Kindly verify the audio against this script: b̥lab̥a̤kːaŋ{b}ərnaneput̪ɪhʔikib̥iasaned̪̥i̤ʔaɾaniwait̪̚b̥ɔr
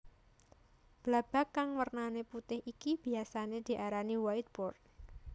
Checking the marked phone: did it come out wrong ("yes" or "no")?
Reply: yes